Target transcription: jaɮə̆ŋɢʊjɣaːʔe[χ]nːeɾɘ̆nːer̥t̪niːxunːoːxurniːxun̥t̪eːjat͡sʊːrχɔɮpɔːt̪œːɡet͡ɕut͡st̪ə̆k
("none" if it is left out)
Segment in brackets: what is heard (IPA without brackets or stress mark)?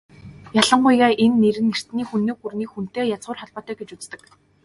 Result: none